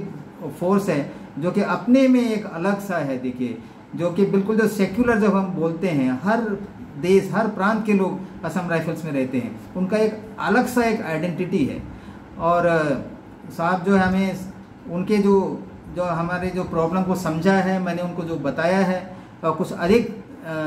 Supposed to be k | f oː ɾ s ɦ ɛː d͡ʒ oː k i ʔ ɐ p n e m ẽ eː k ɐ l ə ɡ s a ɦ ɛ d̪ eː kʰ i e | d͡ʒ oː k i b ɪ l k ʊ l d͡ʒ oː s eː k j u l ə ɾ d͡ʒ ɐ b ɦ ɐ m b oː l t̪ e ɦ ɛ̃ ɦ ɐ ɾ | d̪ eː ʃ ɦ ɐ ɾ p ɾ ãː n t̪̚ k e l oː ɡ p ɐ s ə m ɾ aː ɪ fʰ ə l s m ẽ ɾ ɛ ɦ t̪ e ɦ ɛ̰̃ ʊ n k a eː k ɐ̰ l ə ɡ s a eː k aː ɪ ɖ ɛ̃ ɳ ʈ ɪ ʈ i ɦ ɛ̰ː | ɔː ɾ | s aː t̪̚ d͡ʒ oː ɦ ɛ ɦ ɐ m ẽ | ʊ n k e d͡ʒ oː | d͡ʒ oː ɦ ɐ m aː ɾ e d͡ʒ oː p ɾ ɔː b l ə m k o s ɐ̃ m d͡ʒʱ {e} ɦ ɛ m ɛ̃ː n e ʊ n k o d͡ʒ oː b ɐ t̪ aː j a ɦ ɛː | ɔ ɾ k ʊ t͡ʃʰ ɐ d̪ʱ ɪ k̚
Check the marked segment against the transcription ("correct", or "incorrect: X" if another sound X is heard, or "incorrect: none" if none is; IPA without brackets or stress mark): incorrect: a